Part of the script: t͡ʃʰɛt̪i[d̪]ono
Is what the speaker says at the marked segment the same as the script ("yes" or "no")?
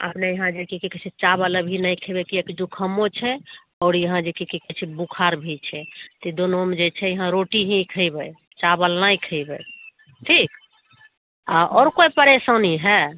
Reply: yes